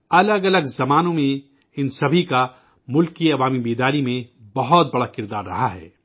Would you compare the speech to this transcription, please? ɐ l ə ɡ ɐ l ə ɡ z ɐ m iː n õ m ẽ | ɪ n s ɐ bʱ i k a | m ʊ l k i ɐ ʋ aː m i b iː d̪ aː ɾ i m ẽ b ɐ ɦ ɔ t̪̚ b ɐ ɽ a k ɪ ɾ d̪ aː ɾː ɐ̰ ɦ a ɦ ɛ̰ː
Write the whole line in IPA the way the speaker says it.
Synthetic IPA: ɐ l ə ɡ ɐ l ə ɡ z ɐ m aː n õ m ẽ | ɪ n s ɐ bʱ i k a | m ʊ l k i ɐ ʋ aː m i b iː d̪ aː ɾ i m ẽ b ɐ ɦ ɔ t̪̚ b ɐ ɽ a k ɪ ɾ d̪ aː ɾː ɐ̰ ɦ a ɦ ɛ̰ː